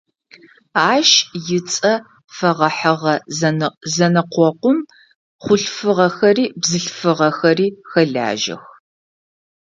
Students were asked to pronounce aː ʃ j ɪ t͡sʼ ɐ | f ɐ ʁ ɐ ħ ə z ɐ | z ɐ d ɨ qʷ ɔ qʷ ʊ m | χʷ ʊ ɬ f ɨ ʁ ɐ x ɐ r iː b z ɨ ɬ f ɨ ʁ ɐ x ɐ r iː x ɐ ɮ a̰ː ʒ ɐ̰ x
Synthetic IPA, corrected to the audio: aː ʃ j ɪ t͡sʼ ɐ | f ɐ ʁ ɐ ħ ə ʁ ɐ | z ɐ n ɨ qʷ ɔ qʷ ʊ m | χʷ ʊ ɬ f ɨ ʁ ɐ x ɐ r iː b z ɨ ɬ f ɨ ʁ ɐ x ɐ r iː x ɐ ɮ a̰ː ʒ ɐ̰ x